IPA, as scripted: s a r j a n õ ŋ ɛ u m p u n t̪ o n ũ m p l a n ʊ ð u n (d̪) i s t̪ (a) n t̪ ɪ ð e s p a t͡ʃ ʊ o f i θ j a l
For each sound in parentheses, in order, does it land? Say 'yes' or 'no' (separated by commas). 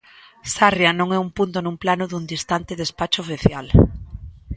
yes, yes